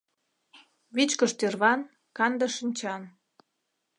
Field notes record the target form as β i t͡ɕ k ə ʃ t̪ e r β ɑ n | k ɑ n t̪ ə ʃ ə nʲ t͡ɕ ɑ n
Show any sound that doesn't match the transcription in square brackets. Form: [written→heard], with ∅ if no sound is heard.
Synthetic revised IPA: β i t͡ɕ k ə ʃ t̪ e r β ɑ n | k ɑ n [t̪→d̪] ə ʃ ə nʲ t͡ɕ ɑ n